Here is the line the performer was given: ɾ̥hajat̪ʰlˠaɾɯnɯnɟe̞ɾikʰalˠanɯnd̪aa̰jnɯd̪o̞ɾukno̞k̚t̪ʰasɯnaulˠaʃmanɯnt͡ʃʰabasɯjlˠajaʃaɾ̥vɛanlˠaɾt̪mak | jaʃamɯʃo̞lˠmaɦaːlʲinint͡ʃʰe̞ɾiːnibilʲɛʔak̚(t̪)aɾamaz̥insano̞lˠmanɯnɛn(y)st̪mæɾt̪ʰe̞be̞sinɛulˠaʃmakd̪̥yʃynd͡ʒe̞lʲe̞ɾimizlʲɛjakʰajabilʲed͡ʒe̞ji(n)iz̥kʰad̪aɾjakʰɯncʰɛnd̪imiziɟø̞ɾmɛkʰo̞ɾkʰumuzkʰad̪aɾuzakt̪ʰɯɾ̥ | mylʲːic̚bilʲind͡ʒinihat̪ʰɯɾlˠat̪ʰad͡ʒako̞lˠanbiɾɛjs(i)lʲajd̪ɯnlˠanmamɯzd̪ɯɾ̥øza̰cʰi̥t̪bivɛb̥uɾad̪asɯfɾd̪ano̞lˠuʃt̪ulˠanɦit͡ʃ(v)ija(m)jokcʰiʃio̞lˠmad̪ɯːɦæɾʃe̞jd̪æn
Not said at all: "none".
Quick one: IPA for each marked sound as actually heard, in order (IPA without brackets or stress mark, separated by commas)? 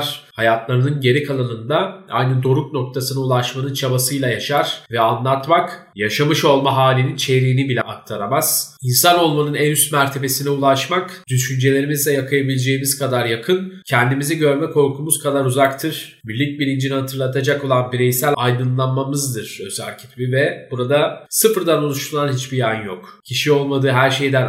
t̪ʰ, y, m, æ, b, n